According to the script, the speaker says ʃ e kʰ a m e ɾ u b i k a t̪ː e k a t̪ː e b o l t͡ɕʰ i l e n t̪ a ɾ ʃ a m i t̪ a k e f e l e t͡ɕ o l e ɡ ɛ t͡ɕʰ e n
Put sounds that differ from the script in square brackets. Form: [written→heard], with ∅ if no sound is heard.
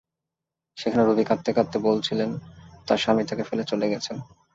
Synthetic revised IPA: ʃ e kʰ a [m→n] e ɾ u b i k a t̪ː e k a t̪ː e b o l t͡ɕʰ i l e n t̪ a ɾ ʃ a m i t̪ a k e f e l e t͡ɕ o l e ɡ ɛ t͡ɕʰ e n